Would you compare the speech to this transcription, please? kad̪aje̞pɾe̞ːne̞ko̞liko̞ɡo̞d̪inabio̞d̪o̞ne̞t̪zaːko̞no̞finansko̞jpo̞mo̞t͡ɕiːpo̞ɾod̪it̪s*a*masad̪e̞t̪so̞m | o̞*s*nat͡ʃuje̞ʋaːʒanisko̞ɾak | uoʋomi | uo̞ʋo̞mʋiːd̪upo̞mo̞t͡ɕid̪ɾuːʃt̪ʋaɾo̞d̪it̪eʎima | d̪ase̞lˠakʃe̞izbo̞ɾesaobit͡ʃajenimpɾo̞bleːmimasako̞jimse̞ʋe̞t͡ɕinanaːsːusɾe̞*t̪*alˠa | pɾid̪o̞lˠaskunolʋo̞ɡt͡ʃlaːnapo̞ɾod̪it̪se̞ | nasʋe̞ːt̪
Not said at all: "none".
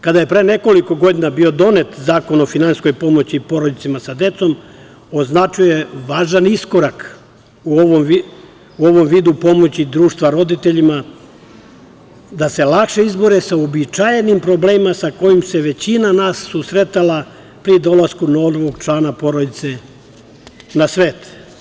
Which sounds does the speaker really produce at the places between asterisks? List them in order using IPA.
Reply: i, z, t̪

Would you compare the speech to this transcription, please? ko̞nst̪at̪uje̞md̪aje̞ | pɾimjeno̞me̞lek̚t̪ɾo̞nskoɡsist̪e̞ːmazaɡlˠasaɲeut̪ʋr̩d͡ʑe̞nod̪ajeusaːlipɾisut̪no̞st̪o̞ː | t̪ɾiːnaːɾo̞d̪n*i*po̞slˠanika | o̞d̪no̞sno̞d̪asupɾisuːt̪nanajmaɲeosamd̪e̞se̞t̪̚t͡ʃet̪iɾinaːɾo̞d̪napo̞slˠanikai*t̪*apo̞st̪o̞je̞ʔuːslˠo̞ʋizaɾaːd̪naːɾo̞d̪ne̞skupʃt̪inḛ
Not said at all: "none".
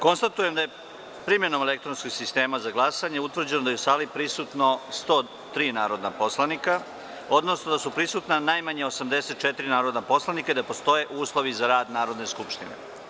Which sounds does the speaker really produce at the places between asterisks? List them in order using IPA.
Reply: a, d̪

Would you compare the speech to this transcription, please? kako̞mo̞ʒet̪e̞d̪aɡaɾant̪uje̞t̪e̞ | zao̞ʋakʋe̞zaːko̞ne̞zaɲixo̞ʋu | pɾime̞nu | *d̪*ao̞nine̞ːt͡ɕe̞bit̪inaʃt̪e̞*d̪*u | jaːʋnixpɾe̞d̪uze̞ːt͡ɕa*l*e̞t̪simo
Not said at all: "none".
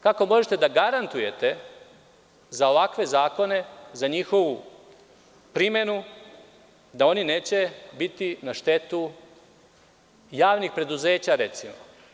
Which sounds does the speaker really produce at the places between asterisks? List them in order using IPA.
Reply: d̪, t̪, ɾ

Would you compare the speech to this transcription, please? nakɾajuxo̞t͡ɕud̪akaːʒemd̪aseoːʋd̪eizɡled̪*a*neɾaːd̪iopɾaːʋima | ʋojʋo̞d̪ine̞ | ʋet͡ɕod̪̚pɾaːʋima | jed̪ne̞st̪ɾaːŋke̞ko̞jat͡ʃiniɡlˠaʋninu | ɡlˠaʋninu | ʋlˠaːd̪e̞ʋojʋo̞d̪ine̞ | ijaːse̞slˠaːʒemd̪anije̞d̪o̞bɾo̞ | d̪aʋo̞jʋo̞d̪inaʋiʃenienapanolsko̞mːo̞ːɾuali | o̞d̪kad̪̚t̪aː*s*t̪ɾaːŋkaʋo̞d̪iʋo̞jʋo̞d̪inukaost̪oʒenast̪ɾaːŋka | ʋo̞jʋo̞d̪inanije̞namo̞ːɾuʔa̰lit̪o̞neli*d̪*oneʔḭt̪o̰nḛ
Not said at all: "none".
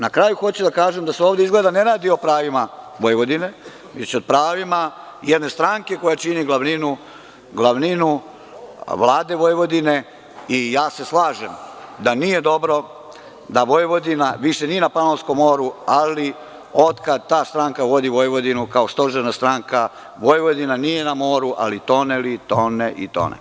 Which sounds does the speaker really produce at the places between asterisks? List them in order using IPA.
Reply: a, s, t̪

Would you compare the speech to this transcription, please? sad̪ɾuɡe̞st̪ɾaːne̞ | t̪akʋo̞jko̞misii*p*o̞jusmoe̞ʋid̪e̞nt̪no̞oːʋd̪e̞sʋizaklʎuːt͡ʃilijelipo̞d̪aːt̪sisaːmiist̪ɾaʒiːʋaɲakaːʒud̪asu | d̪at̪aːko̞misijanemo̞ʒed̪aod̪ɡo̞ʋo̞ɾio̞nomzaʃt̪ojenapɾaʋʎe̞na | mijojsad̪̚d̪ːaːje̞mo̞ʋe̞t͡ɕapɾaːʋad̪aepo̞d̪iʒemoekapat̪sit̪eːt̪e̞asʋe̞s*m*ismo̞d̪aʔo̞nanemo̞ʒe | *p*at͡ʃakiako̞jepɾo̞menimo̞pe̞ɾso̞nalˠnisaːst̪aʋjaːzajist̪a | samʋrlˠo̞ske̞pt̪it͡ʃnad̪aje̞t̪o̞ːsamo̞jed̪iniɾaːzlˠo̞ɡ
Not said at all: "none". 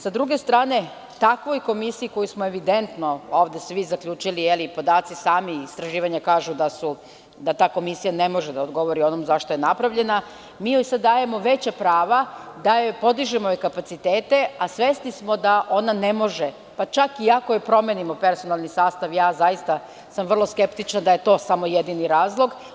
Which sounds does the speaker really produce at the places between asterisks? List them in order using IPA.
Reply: k, n, p

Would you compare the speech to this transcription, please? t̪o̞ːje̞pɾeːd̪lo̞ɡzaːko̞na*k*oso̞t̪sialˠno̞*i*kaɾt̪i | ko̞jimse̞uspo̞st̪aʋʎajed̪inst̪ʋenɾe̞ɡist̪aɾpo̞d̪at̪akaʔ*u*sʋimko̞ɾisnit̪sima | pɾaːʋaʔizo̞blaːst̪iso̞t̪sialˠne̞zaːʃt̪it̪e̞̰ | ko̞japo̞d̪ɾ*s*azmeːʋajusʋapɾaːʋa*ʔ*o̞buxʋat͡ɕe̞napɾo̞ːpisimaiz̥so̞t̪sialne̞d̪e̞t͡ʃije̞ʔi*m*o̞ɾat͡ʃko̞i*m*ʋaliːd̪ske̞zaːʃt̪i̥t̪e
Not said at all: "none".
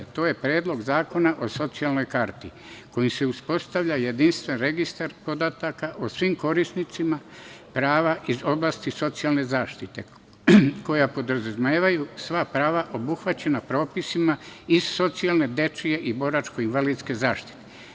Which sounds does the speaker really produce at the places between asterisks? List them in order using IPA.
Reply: ʔ, j, o, z, ʔ, b, n

